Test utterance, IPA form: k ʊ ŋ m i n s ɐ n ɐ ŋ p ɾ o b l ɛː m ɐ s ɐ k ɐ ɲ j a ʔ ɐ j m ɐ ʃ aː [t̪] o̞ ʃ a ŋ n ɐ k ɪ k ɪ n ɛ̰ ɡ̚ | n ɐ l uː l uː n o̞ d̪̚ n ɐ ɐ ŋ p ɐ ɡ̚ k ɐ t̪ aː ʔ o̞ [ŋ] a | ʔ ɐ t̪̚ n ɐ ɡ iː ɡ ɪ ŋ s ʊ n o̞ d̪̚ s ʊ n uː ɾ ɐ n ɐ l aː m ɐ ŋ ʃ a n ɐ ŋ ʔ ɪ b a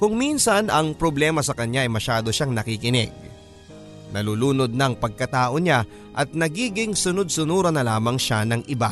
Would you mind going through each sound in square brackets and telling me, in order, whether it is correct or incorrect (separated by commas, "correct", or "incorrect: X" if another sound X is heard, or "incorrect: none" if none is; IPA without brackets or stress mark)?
incorrect: d̪, incorrect: ɲ